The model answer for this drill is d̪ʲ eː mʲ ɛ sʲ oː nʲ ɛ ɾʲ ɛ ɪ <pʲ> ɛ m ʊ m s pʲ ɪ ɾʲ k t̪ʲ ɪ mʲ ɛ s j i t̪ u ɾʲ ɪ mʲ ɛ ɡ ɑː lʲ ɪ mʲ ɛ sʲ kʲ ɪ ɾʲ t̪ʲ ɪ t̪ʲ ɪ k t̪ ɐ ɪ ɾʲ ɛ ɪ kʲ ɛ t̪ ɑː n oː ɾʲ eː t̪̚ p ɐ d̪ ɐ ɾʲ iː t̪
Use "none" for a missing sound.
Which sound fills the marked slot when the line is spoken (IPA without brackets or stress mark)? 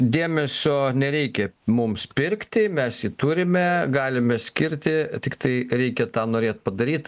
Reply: kʲ